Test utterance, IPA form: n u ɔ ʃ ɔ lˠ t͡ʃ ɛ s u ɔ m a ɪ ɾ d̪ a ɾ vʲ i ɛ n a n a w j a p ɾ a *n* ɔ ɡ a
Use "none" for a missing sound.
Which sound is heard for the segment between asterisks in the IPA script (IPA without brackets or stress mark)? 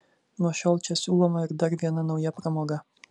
m